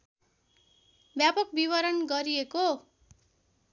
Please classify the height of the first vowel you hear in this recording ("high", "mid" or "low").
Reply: low